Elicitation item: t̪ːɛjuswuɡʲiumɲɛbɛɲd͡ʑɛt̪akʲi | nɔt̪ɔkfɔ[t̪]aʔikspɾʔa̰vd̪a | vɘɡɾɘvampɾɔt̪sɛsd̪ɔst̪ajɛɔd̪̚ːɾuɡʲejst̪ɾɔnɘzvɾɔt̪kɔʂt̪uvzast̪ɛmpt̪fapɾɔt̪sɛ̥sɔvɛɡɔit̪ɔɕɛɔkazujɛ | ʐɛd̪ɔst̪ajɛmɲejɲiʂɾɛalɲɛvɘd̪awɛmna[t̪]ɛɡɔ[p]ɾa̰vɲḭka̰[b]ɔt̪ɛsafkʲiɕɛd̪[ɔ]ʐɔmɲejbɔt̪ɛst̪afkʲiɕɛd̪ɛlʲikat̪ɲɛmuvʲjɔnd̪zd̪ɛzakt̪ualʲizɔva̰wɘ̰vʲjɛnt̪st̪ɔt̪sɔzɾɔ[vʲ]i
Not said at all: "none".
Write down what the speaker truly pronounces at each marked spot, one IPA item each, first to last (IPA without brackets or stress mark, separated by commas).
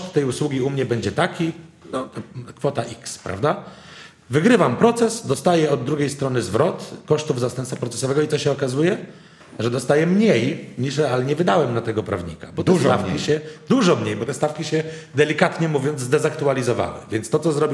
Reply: t̪, t̪, p, b, u, bʲ